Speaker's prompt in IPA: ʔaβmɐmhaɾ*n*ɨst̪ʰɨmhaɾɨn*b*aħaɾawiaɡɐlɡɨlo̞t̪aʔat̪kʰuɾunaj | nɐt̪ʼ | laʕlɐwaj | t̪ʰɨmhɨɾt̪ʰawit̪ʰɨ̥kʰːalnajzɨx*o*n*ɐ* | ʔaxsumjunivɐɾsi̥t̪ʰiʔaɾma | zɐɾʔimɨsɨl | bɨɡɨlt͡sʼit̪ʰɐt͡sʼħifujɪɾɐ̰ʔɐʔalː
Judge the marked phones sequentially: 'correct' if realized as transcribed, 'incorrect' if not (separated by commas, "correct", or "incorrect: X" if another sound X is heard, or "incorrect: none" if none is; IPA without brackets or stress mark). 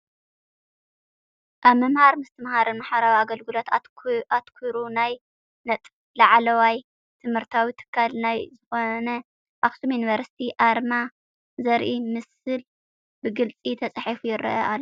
incorrect: m, incorrect: m, correct, correct